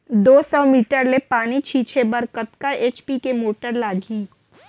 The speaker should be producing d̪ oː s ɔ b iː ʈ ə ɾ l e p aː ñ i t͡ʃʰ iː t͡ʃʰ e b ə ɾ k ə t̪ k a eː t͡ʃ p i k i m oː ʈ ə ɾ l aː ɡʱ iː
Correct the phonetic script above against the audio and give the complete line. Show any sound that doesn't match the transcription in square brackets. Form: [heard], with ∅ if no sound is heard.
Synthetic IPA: d̪ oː s ɔ [m] iː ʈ ə ɾ l e p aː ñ i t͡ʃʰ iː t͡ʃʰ e b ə ɾ k ə t̪ k a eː t͡ʃ p i k [e] m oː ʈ ə ɾ l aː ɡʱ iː

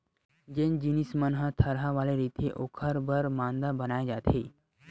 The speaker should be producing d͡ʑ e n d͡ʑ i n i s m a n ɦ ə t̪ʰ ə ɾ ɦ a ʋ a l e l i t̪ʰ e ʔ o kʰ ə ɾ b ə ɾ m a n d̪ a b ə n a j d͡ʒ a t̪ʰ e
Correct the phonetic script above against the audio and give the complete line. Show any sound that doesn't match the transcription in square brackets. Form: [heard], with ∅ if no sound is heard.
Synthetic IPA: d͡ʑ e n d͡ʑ i n i s m [ə] n ɦ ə t̪ʰ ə ɾ ɦ a ʋ a l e [ɾ] i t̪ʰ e ʔ o kʰ ə ɾ b ə ɾ m a n d̪ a b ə n a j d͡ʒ a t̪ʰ e

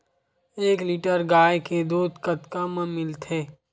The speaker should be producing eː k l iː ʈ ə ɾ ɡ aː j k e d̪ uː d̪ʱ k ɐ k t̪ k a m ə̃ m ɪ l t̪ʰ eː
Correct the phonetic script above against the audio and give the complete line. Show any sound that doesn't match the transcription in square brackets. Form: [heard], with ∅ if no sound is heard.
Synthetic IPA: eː k l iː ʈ ə ɾ ɡ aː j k e d̪ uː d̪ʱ k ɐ [∅] t̪ k a m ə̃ m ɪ l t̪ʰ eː

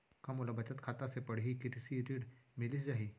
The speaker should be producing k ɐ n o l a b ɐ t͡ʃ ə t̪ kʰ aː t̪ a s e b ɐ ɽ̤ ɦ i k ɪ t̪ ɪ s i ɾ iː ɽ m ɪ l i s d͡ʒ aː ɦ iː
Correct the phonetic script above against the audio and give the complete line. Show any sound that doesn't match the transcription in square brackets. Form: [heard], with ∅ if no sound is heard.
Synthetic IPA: k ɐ [m] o l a b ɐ t͡ʃ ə t̪ kʰ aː t̪ a s e [p] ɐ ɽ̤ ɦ i k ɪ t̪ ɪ s i ɾ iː ɽ m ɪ l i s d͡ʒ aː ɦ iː

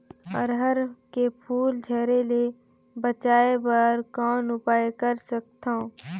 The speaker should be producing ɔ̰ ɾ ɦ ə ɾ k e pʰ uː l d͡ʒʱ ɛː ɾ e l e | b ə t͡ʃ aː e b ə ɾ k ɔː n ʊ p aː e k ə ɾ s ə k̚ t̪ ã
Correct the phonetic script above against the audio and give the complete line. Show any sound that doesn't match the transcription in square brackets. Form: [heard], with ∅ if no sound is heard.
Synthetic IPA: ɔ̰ ɾ ɦ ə ɾ k e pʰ uː l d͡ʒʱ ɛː ɾ e l e | b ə t͡ʃ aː e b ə ɾ k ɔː n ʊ p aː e k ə ɾ s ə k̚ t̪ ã

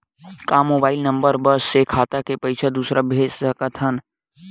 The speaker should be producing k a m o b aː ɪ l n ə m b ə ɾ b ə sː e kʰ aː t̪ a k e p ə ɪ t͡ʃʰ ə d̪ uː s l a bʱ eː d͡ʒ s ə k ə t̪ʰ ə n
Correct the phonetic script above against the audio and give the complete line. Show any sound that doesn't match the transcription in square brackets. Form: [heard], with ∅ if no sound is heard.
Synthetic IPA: k a m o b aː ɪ l n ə m b ə ɾ b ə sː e kʰ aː t̪ a k e p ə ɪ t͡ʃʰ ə d̪ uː s [ɾ] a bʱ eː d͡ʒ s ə k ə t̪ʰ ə n

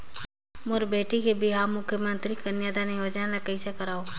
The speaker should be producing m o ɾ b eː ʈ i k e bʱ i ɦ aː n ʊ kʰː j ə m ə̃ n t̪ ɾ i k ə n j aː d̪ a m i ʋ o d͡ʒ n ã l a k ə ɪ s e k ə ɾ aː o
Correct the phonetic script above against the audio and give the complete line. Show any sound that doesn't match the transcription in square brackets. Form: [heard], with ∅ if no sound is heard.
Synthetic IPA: m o ɾ b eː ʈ i k e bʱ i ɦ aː [m] ʊ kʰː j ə m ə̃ n t̪ ɾ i k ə n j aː d̪ a [n] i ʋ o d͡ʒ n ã l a k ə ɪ s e k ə ɾ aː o

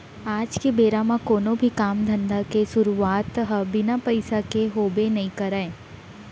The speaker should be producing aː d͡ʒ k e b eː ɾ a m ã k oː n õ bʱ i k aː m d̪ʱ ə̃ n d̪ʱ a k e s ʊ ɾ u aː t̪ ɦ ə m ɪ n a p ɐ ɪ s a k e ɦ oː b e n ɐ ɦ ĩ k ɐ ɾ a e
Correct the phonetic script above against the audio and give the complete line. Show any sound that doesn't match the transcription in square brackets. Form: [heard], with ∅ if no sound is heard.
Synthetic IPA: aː d͡ʒ k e b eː ɾ a m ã k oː n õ bʱ i k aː m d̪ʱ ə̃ n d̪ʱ a k e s ʊ ɾ u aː t̪ ɦ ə [b] ɪ n a p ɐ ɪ s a k e ɦ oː b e n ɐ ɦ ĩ k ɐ ɾ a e

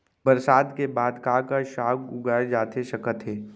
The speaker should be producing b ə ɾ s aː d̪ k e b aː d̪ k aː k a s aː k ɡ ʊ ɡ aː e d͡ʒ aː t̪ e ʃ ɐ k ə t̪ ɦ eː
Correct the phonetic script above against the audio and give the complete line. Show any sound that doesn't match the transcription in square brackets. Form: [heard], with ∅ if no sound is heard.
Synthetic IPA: b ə ɾ s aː d̪ k e b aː d̪ k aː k a [ʃ] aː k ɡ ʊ ɡ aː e d͡ʒ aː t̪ e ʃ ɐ k ə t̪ ɦ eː

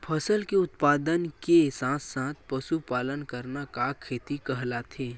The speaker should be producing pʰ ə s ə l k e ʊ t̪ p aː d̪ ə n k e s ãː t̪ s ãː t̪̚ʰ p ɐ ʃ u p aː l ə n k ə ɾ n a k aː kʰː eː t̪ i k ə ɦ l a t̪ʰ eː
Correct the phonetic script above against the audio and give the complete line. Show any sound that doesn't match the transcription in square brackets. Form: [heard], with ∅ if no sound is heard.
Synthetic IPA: pʰ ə s ə l k e ʊ t̪ p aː d̪ ə n k e s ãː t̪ s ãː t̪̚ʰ p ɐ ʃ u p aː l ə n k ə ɾ n a k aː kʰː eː t̪ i k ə ɦ l a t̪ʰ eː

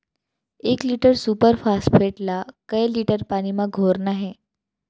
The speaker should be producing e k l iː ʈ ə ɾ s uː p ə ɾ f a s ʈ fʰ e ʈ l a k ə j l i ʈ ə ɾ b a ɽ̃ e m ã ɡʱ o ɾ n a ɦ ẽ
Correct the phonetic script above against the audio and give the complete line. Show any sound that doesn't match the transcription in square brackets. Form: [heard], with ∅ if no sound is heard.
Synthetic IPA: e k l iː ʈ ə ɾ s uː p ə ɾ f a s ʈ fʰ e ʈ l a k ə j l i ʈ ə ɾ [p] a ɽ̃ [i] m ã ɡʱ o ɾ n a ɦ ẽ

